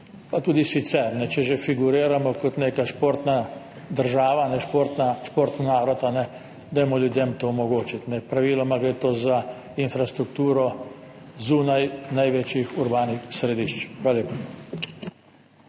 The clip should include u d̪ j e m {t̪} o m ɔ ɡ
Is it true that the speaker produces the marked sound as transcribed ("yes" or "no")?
yes